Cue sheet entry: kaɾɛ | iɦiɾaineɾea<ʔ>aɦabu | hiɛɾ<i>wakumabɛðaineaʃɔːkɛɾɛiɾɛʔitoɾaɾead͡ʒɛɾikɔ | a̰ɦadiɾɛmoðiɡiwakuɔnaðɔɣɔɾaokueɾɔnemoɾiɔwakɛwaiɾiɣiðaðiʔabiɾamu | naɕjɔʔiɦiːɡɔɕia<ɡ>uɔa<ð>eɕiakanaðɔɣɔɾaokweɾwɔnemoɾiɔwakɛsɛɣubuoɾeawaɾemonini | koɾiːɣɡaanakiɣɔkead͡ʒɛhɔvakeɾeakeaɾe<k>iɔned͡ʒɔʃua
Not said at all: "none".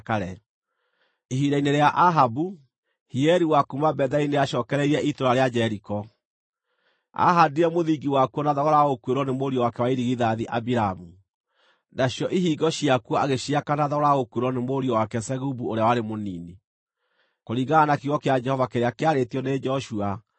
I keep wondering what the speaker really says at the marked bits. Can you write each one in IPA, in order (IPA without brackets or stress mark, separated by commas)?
ʔ, i, k, ɣ, t